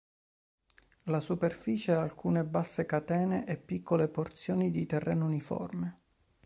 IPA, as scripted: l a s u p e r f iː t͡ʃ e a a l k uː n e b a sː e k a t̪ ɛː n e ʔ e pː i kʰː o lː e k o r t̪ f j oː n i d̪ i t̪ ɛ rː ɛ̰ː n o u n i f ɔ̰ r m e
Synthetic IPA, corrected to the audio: l a s u p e r f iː t͡ʃ e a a l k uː n e b a sː e k a t̪ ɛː n e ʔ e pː i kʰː o l e p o r t̪ s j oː n i d̪ i t̪ ɛ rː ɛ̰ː n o u n i f ɔ̰ r m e